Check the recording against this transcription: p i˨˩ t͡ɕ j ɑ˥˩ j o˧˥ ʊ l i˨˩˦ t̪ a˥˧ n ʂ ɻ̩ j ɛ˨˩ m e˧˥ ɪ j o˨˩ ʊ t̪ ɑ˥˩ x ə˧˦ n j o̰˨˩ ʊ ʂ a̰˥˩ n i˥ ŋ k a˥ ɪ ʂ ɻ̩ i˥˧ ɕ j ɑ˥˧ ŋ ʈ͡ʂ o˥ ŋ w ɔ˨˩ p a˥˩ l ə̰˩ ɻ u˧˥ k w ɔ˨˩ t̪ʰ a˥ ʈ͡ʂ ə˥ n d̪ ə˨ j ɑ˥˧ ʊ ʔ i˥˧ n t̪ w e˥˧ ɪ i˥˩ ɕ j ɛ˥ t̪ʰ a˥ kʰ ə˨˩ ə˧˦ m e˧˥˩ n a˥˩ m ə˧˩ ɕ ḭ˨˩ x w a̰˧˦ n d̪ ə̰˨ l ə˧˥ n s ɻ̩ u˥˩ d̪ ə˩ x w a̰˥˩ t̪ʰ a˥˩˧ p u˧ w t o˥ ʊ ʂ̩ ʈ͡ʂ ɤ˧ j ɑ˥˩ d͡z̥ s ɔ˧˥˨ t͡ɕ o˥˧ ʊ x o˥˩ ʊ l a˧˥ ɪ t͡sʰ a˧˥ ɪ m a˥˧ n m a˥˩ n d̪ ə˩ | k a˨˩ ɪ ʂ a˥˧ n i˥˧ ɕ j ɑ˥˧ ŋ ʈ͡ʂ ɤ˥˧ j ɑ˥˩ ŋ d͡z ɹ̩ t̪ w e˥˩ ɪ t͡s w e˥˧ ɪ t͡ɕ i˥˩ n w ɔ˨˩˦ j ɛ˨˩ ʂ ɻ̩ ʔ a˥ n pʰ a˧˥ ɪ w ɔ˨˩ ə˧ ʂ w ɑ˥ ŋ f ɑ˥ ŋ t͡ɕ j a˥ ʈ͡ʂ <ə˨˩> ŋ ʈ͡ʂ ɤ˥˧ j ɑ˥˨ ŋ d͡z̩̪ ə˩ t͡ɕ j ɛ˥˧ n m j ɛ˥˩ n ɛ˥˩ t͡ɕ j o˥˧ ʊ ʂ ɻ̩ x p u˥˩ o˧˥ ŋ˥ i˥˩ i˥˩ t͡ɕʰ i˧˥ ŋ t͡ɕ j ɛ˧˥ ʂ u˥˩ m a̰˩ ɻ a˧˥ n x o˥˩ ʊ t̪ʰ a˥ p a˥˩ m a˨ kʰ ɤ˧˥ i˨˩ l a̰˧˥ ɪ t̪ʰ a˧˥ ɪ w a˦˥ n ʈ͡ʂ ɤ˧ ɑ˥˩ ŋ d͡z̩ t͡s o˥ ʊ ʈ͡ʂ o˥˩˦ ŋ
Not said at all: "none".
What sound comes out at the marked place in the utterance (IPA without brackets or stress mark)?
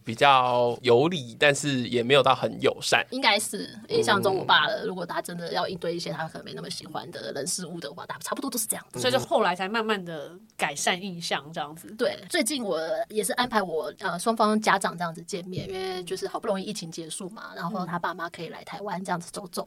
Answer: ɑ˨˩